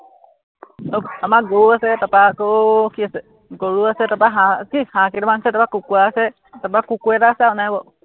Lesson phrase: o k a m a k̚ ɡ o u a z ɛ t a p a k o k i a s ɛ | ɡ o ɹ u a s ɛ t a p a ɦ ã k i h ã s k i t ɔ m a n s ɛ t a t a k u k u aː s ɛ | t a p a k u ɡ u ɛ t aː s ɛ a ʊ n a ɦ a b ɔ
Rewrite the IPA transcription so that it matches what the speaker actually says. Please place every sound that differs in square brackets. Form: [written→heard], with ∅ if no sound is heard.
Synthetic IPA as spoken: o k a m a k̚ ɡ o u a [z→s] ɛ t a p a k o k i a s ɛ | ɡ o ɹ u a s ɛ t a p a ɦ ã k i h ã [s→∅] k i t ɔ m a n s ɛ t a [t→p] a k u k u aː s ɛ | t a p a k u [ɡ→k] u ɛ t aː s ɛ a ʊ n a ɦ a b ɔ

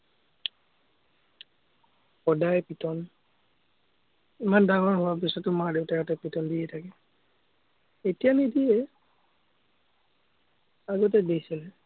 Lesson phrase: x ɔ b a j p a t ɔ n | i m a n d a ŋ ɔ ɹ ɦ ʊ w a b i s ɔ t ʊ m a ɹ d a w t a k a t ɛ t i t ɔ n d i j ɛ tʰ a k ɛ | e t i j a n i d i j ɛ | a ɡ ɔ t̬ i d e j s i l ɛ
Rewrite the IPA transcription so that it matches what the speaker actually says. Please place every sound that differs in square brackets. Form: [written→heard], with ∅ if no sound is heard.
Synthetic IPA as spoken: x ɔ [b→d] a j p [a→i] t ɔ n | i m a n d a ŋ ɔ ɹ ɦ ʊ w a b i s ɔ t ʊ m a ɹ d [a→e] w t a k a t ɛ [t→p] i t ɔ n d i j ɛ tʰ a k ɛ | e t i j a n i d i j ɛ | a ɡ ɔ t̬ [i→ɛ] d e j s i l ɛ

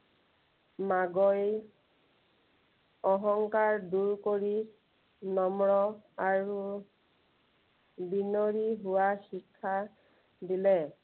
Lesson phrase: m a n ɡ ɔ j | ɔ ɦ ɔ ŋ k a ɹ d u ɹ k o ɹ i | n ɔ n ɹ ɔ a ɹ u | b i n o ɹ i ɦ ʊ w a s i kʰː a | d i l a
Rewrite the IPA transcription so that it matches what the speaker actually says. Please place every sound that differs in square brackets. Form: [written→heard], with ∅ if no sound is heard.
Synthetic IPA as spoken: m a [n→∅] ɡ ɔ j | ɔ ɦ ɔ ŋ k a ɹ d u ɹ k o ɹ i | n ɔ [n→m] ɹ ɔ a ɹ u | b i n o ɹ i ɦ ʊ w a [s→x] i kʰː a | d i l [a→ɛ]

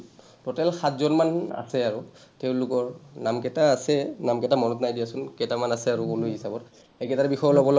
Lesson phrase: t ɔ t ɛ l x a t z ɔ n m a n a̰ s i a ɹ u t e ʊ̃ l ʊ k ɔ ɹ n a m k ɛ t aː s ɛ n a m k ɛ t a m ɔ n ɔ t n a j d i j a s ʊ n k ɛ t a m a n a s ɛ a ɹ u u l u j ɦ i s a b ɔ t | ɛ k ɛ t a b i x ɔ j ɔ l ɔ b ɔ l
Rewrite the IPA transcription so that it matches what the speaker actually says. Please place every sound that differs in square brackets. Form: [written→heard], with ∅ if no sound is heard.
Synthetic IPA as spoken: t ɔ t ɛ l x a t z ɔ n m a n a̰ s [i→ɛ] a ɹ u t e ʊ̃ l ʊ k ɔ ɹ n a m k ɛ t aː s ɛ n a m k ɛ t a m ɔ n ɔ t n a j d i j a s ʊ n k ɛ t a m a n a s ɛ a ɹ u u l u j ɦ i s a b ɔ t | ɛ k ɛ t a b i x ɔ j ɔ l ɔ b ɔ l

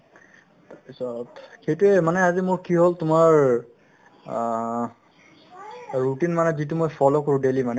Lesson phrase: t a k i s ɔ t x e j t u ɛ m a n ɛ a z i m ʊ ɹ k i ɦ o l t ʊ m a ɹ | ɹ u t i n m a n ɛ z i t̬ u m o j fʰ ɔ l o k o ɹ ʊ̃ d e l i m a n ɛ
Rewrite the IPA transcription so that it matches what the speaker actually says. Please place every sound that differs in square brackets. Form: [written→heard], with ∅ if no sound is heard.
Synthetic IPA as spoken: t a [k→p] i s ɔ t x e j t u ɛ m a n ɛ a z i m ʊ ɹ k i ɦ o l t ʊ m a ɹ | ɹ u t i n m a n ɛ z i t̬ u m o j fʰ ɔ l o k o ɹ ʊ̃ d e l i m a n ɛ

